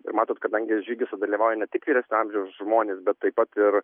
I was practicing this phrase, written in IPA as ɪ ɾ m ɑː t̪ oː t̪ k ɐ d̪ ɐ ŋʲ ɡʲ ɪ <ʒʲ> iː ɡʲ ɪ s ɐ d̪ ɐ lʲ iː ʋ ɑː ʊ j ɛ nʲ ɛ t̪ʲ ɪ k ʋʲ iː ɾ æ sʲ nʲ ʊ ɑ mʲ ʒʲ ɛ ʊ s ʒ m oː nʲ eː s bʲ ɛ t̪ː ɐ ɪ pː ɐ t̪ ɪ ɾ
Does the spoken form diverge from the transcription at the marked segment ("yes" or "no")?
no